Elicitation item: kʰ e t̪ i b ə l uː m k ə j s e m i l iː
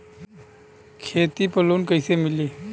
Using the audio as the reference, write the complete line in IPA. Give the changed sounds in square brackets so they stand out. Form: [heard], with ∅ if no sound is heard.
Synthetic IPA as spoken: kʰ e t̪ i [p] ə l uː [n] k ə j s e m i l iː